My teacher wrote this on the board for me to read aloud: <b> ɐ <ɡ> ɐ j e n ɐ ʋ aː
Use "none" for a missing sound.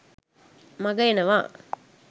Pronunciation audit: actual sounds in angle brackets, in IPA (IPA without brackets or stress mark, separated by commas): m, ɡ